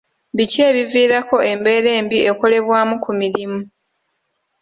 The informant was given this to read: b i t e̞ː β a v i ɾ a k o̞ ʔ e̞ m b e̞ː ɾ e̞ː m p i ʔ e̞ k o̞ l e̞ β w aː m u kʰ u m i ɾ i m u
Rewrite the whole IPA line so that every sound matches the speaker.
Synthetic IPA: b i c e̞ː β i v iː ɾ a k o̞ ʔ e̞ m b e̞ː ɾ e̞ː m b i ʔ e̞ k o̞ l e̞ β w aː m u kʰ u m i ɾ i m u